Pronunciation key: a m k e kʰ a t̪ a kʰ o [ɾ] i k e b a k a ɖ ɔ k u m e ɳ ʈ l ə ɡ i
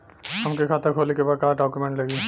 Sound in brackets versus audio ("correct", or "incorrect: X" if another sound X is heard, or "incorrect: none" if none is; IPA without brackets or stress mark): incorrect: l